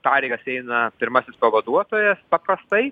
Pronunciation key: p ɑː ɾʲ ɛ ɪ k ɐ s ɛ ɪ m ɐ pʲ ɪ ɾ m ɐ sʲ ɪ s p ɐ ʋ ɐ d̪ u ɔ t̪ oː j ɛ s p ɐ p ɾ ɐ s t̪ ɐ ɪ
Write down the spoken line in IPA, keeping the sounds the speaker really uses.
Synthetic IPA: p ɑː ɾʲ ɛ ɪ ɡ ɐ s ɛ ɪ n ɐ pʲ ɪ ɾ m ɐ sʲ ɪ s p ɐ ʋ ɐ d̪ u ɔ t̪ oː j ɛ s p ɐ p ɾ ɐ s t̪ ɐ ɪ

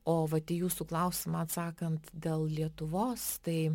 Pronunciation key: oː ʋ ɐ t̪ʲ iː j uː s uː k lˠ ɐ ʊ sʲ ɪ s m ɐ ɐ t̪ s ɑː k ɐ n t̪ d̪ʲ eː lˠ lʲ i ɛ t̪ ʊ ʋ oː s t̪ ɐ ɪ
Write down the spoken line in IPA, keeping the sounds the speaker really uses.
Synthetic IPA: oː ʋ ɐ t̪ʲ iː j uː s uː k lˠ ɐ ʊ sʲ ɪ m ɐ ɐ t̪ s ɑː k ɐ n t̪ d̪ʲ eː lˠ lʲ i ɛ t̪ ʊ ʋ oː s t̪ ɐ ɪ

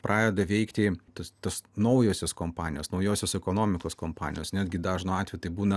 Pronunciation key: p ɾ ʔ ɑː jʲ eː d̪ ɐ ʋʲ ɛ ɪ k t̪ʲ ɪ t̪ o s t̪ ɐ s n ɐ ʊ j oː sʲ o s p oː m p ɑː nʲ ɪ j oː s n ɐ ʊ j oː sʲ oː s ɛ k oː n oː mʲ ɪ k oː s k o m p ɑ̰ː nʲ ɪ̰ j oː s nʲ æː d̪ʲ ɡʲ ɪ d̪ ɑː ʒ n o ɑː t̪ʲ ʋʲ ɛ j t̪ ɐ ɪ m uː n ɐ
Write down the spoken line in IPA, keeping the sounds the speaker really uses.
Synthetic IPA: p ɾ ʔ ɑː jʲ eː d̪ ɐ ʋʲ ɛ ɪ k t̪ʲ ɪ t̪ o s t̪ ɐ s n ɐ ʊ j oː sʲ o s k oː m p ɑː nʲ ɪ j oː s n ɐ ʊ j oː sʲ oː s ɛ k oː n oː mʲ ɪ k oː s k o m p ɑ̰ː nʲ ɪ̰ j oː s nʲ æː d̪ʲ ɡʲ ɪ d̪ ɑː ʒ n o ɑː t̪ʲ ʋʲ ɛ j t̪ ɐ ɪ b uː n ɐ

